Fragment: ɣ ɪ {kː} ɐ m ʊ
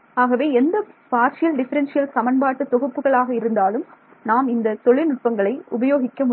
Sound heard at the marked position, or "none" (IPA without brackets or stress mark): kː